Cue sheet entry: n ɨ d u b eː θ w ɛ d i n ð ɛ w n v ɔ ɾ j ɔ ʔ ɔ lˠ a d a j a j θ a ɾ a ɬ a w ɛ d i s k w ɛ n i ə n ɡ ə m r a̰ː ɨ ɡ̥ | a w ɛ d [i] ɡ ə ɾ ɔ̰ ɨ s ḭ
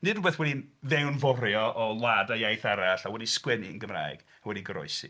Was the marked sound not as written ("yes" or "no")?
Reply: no